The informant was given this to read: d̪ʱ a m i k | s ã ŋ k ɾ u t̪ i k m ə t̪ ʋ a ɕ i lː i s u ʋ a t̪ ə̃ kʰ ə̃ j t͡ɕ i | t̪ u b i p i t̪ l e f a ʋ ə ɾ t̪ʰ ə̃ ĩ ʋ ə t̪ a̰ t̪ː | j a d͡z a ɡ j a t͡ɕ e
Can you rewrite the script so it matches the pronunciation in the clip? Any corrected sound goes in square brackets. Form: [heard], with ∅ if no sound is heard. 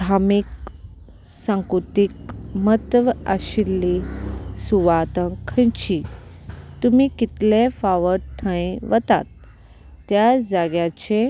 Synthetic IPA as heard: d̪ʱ a m i k | s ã ŋ k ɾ u t̪ i k m ə t̪ ʋ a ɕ i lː i s u ʋ a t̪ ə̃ kʰ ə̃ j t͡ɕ i | t̪ u [m] i [k] i t̪ l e f a ʋ ə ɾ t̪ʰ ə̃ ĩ ʋ ə t̪ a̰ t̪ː | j a d͡z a ɡ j a t͡ɕ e